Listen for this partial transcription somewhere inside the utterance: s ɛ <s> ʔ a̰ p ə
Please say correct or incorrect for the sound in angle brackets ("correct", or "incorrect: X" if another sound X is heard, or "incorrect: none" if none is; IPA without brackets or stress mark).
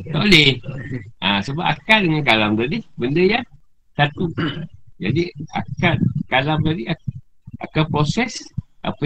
correct